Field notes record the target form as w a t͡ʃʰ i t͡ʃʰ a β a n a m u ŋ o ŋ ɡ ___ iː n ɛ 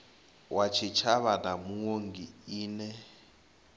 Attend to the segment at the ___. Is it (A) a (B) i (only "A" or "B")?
B